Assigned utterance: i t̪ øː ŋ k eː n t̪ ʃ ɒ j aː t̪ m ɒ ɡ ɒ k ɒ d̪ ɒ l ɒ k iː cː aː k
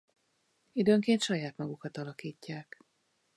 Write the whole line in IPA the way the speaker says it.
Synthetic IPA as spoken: i d̪ øː ŋ k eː n t̪ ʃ ɒ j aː t̪ m ɒ ɡ u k ɒ t̪ ɒ l ɒ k iː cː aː k